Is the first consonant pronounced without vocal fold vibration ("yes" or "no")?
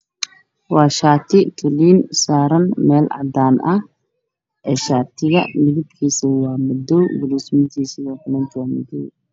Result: no